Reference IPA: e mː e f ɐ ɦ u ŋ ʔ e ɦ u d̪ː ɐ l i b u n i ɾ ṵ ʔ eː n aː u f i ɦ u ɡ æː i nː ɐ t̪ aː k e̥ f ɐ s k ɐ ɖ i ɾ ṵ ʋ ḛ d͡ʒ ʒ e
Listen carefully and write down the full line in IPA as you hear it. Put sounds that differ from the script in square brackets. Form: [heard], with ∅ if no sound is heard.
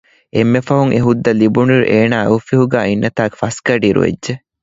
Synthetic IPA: e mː e f ɐ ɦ u ŋ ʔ e ɦ u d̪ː ɐ l i b u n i ɾ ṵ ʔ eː n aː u f i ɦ u ɡ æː i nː ɐ t̪ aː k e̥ f ɐ s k ɐ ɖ i ɾ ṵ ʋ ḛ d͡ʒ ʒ e